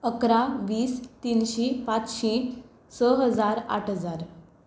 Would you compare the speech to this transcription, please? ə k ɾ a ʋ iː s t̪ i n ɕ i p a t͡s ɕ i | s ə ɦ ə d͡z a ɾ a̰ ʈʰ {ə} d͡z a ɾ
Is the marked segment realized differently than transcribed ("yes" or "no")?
no